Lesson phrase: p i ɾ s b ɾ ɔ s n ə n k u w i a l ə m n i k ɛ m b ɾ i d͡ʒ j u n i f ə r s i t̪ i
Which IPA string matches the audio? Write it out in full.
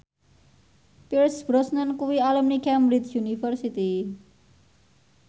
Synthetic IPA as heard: p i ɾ s b ɾ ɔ s n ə n k u w i a l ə m n i k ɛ m b ɾ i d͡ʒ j u n i f ə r s i t̪ i